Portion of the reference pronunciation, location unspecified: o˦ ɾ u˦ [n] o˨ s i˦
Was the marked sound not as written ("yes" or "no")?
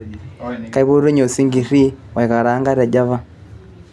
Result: yes